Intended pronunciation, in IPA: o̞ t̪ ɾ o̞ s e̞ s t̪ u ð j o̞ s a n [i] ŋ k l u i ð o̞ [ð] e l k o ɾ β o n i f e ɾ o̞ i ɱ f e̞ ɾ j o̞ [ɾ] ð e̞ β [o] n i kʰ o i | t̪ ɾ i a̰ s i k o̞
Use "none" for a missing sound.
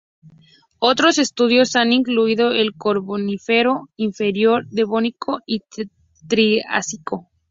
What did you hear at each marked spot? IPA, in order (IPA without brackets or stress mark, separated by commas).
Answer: i, none, ɾ, o